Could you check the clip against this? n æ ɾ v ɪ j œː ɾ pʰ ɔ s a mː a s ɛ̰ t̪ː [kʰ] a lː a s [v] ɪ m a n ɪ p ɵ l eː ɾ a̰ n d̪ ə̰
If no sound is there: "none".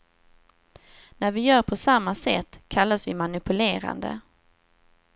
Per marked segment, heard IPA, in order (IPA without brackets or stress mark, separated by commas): kʰ, v